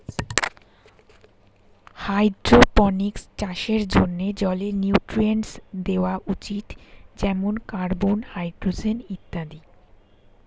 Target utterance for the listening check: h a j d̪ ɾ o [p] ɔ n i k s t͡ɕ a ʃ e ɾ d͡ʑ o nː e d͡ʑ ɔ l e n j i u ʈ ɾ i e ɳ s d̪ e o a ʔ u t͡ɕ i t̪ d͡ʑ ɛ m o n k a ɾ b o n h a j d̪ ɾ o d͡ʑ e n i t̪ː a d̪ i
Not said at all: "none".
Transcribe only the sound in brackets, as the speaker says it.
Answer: p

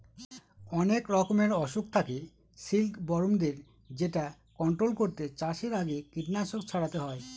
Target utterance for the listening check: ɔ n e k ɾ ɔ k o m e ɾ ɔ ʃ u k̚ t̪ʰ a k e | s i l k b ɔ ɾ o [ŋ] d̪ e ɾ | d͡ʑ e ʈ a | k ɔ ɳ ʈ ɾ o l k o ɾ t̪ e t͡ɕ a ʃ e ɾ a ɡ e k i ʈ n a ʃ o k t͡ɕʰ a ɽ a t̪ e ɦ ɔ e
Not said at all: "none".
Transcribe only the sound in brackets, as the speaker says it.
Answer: m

